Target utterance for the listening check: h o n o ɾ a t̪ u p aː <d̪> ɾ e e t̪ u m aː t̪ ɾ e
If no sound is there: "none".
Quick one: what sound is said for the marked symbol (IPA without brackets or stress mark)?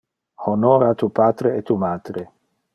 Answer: t̪